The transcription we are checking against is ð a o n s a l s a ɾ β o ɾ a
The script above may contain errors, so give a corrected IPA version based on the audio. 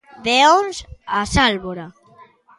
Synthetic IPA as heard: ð e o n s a s a l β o ɾ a